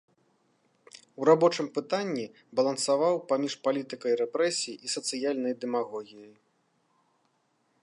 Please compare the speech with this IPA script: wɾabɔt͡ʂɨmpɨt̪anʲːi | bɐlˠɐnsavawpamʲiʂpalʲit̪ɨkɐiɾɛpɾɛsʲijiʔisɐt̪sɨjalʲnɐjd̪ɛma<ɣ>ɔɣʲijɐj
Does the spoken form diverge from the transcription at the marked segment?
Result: no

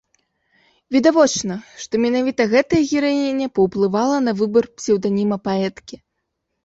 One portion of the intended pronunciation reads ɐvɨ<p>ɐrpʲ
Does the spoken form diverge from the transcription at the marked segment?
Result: yes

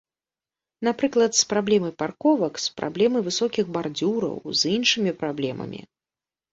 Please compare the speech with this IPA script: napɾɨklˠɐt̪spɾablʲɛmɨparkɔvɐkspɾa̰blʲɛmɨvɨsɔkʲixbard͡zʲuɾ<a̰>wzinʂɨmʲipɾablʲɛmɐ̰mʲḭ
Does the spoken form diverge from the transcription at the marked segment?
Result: yes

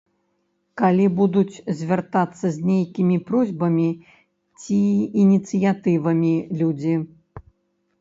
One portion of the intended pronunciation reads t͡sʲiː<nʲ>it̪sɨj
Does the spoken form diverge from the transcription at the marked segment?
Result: no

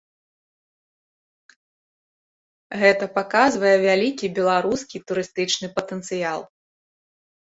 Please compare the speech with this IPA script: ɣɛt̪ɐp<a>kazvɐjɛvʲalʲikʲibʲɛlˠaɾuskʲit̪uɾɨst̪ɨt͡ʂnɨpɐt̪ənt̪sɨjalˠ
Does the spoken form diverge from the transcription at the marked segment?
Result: no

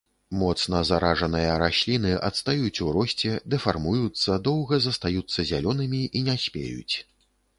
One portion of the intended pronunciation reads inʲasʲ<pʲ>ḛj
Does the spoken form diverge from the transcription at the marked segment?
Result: no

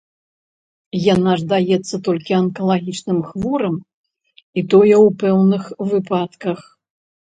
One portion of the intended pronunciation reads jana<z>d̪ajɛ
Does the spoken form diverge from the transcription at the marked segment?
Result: yes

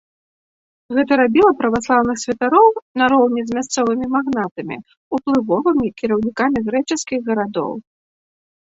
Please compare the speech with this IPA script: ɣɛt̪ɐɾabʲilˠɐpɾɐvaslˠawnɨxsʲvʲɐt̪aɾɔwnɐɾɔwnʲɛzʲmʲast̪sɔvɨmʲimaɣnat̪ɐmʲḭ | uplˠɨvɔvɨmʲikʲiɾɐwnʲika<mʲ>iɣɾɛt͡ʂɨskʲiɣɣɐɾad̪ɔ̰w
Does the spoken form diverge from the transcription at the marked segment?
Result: no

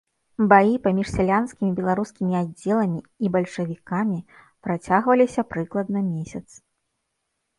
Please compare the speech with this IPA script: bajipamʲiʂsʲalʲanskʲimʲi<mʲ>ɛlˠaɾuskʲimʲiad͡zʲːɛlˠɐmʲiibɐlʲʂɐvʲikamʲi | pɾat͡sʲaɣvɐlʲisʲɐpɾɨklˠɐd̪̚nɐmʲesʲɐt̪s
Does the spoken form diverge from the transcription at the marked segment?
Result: yes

